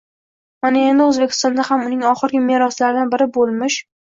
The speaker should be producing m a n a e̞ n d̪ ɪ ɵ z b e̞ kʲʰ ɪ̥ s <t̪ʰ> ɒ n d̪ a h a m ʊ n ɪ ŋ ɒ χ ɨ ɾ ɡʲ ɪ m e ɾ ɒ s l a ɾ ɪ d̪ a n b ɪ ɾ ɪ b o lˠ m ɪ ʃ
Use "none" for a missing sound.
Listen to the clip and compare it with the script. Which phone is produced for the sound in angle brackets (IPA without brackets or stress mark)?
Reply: t̪